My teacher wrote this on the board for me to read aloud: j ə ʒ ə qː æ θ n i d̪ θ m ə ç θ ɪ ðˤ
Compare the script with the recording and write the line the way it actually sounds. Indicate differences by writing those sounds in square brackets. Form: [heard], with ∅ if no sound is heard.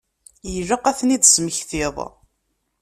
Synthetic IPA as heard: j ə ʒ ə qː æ θ n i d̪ [s] m ə ç θ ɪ ðˤ